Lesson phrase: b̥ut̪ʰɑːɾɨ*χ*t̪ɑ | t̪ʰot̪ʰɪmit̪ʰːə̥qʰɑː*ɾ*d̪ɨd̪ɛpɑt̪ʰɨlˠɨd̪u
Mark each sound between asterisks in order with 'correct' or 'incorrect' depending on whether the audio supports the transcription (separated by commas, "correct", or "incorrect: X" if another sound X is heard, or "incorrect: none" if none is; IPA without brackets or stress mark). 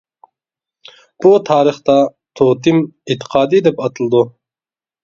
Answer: correct, incorrect: none